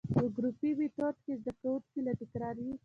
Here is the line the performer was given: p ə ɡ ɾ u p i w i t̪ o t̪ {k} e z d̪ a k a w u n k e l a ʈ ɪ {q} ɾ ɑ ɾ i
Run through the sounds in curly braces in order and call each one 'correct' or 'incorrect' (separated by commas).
correct, incorrect